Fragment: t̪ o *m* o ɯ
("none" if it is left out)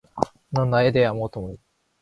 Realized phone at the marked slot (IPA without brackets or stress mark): m